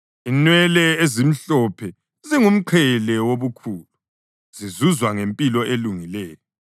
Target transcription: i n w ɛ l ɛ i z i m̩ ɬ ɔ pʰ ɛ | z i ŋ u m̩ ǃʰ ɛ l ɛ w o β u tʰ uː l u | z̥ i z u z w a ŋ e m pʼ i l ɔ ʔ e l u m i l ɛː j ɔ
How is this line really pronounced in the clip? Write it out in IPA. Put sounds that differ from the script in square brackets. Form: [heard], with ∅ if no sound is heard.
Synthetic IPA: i n w ɛ l ɛ [e] z i m̩ ɬ ɔ pʰ ɛ | z i ŋ u m̩ ǃʰ ɛ l ɛ w o β u [kʰ] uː l u | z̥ i z u z w a ŋ e m pʼ i l ɔ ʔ e l u [ŋ] i l ɛː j ɔ